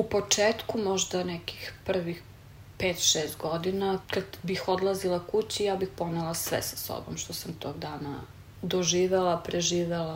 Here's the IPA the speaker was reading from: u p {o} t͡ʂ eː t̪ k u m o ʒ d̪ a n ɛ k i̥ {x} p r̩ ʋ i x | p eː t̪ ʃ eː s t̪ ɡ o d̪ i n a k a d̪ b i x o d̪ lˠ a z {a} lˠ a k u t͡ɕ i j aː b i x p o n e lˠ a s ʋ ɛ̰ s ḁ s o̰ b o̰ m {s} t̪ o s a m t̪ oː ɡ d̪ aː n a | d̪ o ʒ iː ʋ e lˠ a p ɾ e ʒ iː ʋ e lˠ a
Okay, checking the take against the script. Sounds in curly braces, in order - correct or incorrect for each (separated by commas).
correct, correct, incorrect, incorrect